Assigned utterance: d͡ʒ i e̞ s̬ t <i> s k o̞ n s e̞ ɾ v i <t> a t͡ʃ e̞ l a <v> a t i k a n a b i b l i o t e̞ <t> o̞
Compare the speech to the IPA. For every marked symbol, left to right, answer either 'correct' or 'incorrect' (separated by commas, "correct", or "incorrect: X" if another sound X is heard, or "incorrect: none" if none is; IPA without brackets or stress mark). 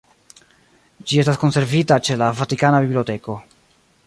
incorrect: a, correct, correct, incorrect: k